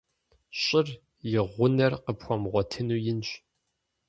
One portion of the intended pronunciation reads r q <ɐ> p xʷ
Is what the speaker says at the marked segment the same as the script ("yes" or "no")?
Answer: no